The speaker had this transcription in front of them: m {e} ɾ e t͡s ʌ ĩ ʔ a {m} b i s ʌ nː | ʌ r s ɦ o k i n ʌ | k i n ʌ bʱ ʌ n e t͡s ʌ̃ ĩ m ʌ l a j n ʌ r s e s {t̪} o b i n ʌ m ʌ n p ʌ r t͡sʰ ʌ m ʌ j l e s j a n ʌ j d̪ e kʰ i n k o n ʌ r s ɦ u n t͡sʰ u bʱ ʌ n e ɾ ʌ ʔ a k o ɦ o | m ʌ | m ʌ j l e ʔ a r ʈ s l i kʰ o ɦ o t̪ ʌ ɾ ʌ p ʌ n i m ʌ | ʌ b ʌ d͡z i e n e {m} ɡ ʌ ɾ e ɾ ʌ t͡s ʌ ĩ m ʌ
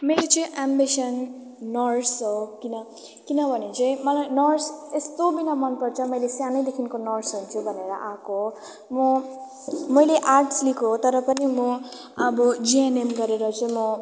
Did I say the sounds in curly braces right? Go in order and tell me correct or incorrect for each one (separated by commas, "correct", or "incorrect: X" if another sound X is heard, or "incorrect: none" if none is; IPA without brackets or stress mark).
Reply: correct, correct, correct, correct